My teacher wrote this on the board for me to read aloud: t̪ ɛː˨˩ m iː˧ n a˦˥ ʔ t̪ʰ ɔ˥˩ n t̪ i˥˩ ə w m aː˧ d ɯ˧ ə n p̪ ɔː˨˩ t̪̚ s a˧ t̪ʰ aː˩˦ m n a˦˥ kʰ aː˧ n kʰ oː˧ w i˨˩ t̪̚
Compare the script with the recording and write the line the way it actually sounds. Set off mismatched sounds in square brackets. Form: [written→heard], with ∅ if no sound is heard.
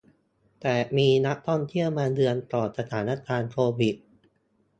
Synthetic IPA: t̪ ɛː˨˩ m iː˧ n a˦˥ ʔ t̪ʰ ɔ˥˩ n [t̪→t̪ʰ] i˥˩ ə w m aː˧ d ɯ˧ ə n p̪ ɔː˨˩ t̪̚ s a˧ t̪ʰ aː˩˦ [m→∅] n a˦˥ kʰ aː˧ n kʰ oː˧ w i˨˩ t̪̚